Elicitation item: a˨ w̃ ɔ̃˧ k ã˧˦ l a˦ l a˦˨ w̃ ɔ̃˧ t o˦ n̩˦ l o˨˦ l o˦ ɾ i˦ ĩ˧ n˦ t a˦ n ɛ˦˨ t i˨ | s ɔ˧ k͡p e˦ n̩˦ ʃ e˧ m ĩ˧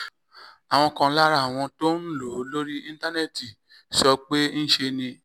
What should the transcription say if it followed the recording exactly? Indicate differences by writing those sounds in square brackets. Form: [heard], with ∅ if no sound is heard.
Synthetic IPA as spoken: a˨ w̃ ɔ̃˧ k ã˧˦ l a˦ [ɾ] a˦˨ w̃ ɔ̃˧ t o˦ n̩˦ l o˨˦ l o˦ ɾ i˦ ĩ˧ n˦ t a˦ n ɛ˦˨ t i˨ | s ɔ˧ k͡p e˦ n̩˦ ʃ e˧ [n] ĩ˧